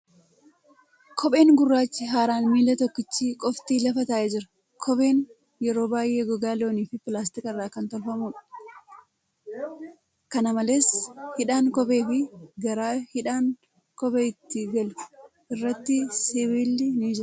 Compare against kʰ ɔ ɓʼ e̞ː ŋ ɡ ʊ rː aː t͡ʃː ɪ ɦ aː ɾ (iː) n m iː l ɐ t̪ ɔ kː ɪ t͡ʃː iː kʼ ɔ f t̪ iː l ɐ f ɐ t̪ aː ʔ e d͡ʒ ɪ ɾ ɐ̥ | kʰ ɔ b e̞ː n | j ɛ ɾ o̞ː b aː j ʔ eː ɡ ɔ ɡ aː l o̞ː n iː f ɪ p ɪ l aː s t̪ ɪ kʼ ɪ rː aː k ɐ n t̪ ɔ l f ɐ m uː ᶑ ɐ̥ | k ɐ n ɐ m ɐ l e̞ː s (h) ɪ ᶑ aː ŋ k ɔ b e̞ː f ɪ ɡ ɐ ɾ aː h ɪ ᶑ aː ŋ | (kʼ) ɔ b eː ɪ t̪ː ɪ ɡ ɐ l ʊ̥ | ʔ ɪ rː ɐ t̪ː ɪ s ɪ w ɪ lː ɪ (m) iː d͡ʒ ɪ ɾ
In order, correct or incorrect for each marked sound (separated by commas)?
incorrect, correct, incorrect, incorrect